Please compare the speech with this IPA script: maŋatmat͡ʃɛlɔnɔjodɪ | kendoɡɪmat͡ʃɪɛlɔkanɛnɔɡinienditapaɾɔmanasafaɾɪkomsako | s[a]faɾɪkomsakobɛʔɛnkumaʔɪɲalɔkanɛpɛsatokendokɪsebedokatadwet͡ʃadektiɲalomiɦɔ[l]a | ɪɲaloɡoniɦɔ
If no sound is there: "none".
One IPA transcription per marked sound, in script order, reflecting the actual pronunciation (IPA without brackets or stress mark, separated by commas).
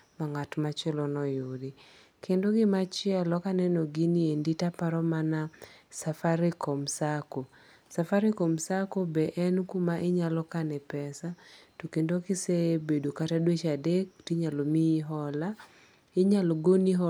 a, l